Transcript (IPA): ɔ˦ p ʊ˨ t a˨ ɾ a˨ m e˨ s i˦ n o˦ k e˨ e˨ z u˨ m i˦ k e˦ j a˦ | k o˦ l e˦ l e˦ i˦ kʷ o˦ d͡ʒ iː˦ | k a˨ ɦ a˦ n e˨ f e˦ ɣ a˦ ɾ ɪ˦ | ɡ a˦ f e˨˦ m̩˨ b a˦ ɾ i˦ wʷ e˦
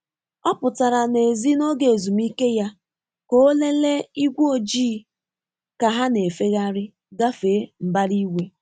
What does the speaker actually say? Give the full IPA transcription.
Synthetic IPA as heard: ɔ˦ p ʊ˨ t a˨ ɾ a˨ n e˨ z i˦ n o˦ ɡ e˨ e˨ z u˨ m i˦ k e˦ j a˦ | k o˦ l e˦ l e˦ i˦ ɡʷ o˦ d͡ʒ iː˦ | k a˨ ɦ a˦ n e˨ f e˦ ɣ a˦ ɾ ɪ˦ | ɡ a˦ f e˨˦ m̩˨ b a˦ ɾ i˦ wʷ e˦

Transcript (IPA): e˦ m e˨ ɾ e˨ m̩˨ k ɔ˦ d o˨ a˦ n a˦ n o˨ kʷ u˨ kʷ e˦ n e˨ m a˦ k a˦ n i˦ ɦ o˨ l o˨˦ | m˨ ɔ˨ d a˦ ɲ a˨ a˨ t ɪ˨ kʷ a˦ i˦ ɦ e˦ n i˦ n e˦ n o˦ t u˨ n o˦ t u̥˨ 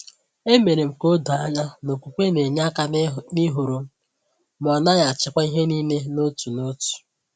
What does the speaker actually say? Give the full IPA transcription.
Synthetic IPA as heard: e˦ m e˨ ɾ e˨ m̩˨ k o˦ d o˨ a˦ ɲ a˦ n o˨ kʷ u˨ kʷ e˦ n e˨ ɲ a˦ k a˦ n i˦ ɦ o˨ ɾ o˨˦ | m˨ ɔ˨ n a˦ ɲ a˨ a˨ t͡ʃ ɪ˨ kʷ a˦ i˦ ɦ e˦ n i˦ n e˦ n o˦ t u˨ n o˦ t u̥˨

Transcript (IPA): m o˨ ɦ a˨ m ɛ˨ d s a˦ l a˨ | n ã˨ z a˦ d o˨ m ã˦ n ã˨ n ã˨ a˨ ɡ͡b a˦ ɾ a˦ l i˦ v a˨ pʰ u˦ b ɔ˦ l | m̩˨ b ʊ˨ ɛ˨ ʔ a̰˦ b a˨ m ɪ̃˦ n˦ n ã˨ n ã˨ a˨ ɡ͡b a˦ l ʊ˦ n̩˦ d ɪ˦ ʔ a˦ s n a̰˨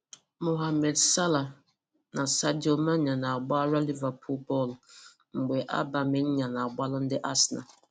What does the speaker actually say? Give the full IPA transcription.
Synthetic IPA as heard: m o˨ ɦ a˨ m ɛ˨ d s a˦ l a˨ | n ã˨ s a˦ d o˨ m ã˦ ɲ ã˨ n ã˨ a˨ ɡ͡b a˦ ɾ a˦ l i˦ v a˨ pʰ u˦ b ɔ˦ l | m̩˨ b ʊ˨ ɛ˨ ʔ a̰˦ b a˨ m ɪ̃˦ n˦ ɲ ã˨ n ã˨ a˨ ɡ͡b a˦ l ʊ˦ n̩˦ d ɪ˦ ʔ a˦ s n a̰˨

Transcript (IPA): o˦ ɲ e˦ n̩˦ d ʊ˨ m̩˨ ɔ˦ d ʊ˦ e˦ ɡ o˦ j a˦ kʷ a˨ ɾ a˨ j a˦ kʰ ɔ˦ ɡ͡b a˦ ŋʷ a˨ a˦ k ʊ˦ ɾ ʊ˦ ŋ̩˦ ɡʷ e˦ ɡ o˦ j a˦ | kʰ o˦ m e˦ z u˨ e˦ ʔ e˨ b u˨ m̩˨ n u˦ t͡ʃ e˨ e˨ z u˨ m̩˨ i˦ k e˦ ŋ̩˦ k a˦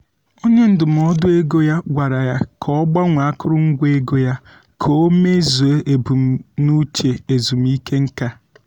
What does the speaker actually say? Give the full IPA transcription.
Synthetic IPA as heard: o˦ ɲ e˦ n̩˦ d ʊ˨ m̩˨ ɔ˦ d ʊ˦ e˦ ɡ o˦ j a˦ ɡʷ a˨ ɾ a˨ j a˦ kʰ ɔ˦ ɡ͡b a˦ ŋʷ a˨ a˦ k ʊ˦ ɾ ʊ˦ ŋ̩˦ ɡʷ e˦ ɡ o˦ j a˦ | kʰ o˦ m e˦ z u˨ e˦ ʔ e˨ b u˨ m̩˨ n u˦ t͡ʃ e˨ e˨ z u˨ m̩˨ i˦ k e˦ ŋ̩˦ k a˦

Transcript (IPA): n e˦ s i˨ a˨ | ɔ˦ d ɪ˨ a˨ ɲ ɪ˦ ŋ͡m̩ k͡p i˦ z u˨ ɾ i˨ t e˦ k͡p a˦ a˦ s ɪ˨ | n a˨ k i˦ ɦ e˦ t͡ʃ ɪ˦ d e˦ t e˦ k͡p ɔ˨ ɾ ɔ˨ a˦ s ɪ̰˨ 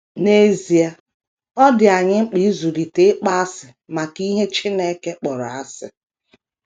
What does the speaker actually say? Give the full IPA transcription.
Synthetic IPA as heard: n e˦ z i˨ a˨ | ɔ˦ d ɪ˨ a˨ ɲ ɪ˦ ŋ͡m̩ k͡p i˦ z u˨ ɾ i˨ t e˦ k͡p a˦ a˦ s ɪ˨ | m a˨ k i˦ ɦ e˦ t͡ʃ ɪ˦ n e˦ k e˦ k͡p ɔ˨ ɾ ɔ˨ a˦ s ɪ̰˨

